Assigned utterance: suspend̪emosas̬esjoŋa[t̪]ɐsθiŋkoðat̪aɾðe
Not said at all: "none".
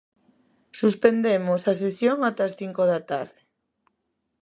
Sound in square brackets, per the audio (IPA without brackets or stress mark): t̪